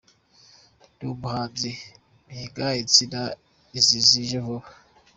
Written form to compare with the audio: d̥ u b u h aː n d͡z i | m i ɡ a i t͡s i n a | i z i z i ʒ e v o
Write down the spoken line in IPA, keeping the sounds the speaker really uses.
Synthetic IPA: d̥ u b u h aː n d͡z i | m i ɡ a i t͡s i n a | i z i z i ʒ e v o